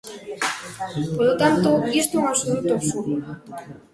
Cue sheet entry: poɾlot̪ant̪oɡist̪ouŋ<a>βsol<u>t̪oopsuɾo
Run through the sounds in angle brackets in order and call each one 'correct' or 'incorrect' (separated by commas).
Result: correct, correct